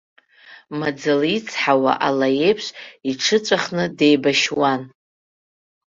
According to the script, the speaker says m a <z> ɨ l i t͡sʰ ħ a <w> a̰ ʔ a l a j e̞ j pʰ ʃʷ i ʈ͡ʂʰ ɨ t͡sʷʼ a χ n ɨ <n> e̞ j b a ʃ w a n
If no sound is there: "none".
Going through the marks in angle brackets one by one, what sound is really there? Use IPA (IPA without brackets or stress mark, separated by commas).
d͡z, w, d